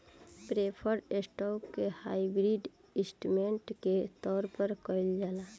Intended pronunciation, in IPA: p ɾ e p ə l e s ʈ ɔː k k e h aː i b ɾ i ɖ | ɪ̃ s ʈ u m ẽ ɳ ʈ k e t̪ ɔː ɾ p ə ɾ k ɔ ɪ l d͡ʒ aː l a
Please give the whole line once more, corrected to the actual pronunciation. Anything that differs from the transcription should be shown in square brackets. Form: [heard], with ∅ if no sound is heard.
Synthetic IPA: p ɾ e [pʰ] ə [ɾ] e s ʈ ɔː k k e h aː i b ɾ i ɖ | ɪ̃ s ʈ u m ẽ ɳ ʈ k e t̪ ɔː ɾ p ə ɾ k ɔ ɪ l d͡ʒ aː l a